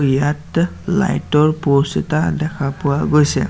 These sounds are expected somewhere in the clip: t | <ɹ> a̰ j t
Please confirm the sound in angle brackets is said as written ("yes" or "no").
no